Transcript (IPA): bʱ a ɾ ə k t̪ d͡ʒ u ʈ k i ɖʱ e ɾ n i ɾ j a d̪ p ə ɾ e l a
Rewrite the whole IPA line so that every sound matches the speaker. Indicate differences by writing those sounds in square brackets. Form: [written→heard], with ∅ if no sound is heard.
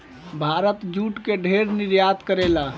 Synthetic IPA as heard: bʱ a ɾ ə [k→∅] t̪ d͡ʒ u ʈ k [i→e] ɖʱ e ɾ n i ɾ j a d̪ [p→k] ə ɾ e l a